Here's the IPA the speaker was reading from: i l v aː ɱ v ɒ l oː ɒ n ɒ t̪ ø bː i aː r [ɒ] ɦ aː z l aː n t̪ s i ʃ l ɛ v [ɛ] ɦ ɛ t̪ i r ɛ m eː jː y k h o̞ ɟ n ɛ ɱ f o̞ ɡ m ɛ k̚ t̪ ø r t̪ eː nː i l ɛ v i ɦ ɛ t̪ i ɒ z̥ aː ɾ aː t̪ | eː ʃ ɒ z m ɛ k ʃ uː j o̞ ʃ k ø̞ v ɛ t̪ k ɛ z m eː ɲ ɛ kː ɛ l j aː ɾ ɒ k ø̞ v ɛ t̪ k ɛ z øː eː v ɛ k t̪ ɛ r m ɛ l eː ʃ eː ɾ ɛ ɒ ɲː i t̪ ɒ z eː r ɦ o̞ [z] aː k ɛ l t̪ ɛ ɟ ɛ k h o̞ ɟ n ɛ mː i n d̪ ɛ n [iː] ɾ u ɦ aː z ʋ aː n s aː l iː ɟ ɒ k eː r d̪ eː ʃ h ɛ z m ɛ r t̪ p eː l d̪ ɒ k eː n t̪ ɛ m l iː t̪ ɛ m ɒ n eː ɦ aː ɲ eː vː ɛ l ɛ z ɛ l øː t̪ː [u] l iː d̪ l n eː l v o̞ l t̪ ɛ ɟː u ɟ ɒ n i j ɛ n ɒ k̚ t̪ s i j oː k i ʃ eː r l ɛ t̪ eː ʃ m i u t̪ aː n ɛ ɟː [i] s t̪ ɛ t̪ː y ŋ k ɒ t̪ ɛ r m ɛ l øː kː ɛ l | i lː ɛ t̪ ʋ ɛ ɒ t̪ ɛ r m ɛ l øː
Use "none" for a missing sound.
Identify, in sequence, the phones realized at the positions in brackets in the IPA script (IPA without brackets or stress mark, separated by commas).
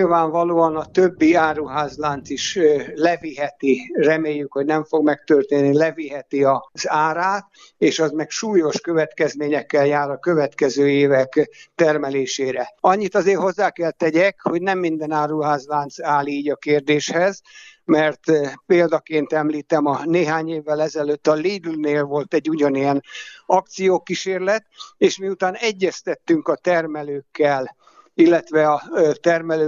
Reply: u, i, zː, aː, ɒ, ɛ